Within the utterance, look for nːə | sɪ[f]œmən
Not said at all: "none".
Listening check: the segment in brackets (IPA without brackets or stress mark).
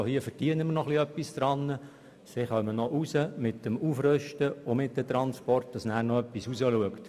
χ